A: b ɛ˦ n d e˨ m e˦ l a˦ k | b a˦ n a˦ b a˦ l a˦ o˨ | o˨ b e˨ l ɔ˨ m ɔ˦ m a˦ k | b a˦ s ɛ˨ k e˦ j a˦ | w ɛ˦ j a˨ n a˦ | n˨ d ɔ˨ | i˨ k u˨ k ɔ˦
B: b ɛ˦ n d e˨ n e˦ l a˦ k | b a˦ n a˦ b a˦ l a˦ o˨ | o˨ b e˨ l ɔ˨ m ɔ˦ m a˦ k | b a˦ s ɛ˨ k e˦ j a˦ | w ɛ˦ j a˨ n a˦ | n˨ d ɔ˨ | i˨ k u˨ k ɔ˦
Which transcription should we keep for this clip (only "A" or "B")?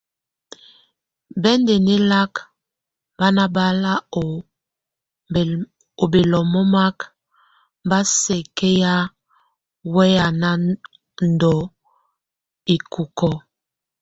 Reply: B